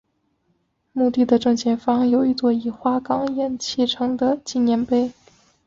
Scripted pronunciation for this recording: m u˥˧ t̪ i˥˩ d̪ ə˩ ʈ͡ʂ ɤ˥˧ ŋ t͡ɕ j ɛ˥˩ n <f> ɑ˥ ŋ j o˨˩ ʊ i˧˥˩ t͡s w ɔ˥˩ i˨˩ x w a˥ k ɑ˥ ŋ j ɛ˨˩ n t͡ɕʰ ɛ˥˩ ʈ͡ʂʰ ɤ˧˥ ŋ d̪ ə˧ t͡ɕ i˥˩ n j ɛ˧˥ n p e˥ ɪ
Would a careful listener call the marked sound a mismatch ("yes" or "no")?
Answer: no